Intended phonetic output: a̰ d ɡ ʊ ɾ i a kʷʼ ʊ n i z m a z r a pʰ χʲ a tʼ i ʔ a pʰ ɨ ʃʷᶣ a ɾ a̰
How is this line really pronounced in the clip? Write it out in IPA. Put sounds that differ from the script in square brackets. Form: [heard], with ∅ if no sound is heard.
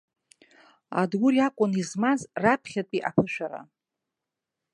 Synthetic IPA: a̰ d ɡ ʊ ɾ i a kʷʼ ʊ n i z m a z r a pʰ χʲ a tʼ i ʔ a pʰ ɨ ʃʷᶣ a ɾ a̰